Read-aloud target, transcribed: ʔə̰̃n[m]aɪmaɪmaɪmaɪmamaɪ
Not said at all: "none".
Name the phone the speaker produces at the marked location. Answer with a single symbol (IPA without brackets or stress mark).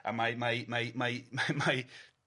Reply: m